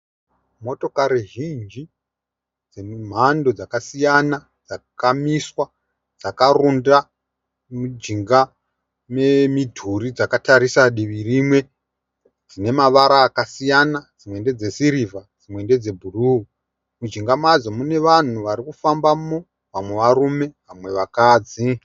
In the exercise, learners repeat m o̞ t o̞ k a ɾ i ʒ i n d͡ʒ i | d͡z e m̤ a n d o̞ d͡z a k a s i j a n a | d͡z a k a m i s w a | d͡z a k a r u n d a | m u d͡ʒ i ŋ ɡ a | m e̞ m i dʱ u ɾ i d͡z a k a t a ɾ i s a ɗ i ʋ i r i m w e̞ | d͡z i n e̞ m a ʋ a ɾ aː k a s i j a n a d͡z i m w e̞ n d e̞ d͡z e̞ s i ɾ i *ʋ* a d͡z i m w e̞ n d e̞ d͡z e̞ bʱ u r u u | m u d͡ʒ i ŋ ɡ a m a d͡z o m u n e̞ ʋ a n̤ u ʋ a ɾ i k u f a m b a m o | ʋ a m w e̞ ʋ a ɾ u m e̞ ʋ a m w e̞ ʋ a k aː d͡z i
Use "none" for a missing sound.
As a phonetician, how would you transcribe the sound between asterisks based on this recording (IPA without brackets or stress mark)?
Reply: v